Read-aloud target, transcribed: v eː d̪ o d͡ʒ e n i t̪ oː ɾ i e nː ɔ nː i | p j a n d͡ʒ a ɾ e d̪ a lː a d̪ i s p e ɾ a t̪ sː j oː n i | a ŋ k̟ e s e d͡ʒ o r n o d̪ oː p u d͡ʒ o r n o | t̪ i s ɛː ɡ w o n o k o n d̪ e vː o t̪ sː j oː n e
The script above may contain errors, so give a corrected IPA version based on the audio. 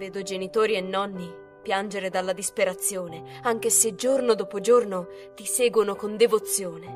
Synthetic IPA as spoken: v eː d̪ o d͡ʒ e n i t̪ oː ɾ i e nː ɔ nː i | p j a n d͡ʒ e ɾ e d̪ a lː a d̪ i s p e ɾ a t̪ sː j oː n e | a ŋ k̟ e s e d͡ʒ o r n o d̪ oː p o d͡ʒ o r n o | t̪ i s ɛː ɡ w o n o k o n d̪ e v o t̪ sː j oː n e